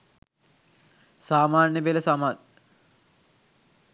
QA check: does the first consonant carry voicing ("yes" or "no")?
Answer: no